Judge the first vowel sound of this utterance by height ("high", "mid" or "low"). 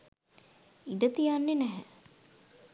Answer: high